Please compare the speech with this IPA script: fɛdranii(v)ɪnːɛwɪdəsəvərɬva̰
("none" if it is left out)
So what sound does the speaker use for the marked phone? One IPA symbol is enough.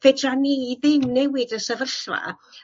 ð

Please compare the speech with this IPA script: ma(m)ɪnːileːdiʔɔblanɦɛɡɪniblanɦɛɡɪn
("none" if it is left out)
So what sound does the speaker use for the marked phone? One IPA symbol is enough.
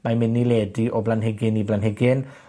m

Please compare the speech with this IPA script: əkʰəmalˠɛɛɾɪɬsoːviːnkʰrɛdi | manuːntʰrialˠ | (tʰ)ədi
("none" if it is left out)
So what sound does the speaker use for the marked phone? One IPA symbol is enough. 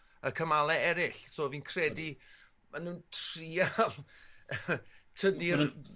tʰ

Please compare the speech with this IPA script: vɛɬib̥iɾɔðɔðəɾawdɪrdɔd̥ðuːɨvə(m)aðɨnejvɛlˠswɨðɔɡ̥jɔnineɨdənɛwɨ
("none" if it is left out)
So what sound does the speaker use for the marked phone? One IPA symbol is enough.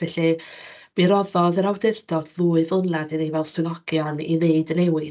n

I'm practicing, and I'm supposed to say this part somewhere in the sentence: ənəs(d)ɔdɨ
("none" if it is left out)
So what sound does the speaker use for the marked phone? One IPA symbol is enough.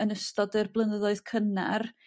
t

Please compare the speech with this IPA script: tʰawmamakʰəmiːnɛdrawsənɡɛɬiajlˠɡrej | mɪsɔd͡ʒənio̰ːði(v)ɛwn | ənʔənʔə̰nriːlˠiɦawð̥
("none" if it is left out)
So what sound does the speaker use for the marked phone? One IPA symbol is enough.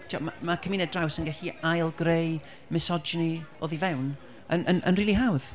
v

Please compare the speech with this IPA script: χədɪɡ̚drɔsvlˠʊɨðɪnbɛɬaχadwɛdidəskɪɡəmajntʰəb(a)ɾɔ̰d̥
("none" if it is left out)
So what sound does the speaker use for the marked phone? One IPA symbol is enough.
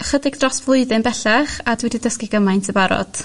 a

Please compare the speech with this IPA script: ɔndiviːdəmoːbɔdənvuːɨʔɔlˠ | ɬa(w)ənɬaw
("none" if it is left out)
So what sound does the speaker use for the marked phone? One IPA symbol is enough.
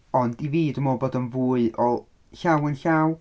w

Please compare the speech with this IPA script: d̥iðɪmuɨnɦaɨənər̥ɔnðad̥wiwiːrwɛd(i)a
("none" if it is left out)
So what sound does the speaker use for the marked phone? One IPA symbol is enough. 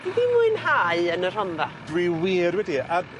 i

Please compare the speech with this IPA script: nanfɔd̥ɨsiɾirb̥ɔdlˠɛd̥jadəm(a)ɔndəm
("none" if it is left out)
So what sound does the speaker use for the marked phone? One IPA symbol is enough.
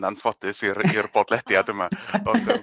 a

